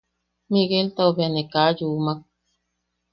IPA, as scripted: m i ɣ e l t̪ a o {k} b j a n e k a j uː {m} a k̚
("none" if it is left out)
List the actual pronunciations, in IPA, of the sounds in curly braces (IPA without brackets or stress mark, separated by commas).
none, m